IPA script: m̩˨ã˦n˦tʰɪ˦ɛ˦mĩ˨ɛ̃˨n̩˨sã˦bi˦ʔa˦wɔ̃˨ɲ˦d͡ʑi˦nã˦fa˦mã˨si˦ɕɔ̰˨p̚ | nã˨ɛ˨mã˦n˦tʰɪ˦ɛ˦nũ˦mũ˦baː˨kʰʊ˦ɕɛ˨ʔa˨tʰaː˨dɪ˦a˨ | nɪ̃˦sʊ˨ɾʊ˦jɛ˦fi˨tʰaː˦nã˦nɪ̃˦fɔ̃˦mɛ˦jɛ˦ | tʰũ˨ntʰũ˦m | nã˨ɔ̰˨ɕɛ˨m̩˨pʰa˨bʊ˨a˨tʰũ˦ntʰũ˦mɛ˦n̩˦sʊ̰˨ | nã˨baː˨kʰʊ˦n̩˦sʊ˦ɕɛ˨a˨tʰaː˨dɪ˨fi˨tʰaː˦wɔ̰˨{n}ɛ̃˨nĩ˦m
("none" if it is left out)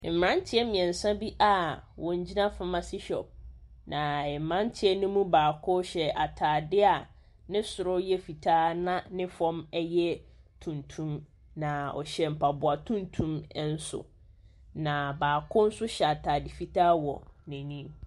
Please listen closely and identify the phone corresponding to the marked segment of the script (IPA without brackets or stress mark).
n